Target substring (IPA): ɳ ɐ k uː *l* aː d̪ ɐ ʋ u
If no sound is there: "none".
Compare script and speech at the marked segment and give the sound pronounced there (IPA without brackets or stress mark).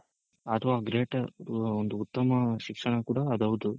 ɽ